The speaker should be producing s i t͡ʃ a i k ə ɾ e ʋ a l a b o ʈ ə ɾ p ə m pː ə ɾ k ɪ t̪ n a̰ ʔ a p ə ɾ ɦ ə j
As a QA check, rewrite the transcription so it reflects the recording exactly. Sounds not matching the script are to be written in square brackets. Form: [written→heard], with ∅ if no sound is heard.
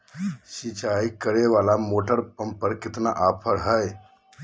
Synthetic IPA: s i t͡ʃ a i k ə ɾ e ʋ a l a [b→m] o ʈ ə ɾ p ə m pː ə ɾ k ɪ t̪ n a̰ ʔ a [p→pʰ] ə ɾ ɦ ə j